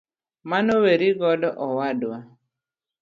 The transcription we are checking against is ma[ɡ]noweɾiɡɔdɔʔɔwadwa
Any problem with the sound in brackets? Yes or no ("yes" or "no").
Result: yes